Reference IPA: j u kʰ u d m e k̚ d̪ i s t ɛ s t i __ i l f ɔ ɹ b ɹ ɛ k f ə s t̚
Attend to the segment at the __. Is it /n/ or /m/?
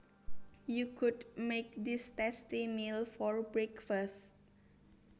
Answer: m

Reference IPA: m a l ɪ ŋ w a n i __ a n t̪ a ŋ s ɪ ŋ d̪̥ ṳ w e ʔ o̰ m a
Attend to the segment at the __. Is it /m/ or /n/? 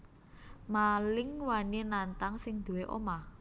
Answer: n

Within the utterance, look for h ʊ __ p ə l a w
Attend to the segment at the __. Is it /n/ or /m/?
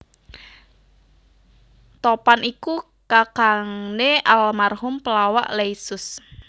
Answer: m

